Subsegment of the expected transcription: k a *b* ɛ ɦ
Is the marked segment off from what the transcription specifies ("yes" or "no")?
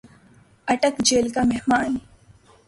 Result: yes